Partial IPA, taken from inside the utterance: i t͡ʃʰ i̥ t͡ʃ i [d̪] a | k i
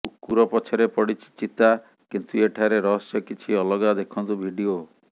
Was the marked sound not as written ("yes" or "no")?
yes